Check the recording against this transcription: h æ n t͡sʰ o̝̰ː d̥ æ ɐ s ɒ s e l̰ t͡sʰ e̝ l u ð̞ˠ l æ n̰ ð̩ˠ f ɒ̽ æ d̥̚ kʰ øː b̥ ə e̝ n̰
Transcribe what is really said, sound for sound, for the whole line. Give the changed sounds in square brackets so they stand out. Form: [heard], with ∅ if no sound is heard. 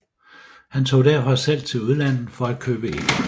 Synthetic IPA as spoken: h æ n t͡sʰ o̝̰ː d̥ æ ɐ [f] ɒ s e l̰ t͡sʰ e̝ l u ð̞ˠ l æ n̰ ð̩ˠ f ɒ̽ æ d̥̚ kʰ øː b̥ ə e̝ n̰